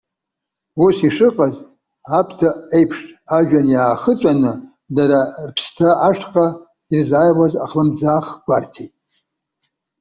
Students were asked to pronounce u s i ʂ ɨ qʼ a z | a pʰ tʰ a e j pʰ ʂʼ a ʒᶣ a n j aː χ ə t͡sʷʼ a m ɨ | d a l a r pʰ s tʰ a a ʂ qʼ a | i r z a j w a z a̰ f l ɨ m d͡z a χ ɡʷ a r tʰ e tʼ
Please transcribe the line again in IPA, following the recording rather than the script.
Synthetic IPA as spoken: u s i ʂ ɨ qʼ a z | a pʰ tʰ a e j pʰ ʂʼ a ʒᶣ a n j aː χ ə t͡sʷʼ a n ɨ | d a ɾ a r pʰ s tʰ a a ʂ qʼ a | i r z a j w a z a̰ χ l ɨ m d͡z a χ ɡʷ a r tʰ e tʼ

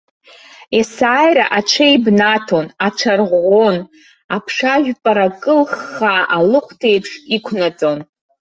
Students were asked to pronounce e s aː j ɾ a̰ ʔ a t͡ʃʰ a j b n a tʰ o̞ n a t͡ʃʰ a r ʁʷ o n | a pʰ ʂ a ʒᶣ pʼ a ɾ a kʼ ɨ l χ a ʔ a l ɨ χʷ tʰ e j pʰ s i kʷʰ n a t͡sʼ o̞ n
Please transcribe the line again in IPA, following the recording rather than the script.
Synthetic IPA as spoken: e s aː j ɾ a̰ ʔ a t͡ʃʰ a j b n a tʰ o̞ n a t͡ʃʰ a r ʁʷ o n | a pʰ ʂ a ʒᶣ pʼ a ɾ a kʼ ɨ l χ a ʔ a l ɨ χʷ tʰ e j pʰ ʂ i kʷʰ n a t͡sʼ o̞ n

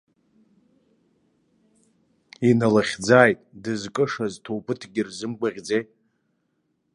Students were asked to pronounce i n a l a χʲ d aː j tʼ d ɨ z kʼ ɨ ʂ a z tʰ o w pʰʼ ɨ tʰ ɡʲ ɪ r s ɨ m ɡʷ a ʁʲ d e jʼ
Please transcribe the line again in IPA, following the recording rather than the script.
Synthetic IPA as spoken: i n a l a χʲ d͡z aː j tʼ d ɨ z kʼ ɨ ʂ a z tʰ o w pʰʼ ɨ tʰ ɡʲ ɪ r z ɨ m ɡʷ a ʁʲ d͡z e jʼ

